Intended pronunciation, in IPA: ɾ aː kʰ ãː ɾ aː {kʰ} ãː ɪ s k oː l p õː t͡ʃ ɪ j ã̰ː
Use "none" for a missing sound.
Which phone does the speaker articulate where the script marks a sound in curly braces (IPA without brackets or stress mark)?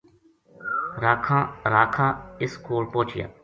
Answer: kʰ